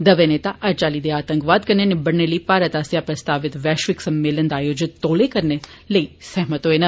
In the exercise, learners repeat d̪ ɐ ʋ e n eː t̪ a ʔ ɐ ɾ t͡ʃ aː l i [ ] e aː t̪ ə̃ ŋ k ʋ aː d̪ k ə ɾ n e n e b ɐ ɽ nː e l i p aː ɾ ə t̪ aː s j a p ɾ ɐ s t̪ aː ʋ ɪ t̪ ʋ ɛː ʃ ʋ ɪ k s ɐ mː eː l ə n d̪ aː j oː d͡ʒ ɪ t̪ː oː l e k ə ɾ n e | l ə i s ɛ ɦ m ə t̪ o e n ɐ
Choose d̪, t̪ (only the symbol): d̪